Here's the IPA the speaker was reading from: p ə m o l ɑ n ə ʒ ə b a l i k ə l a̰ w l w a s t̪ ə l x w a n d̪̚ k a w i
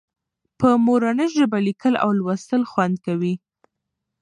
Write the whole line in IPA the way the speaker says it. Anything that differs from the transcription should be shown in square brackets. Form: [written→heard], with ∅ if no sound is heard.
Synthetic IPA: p ə m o [l→ɾ] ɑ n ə ʒ ə b a l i k ə l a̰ w l w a s t̪ ə l x w a n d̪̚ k a w i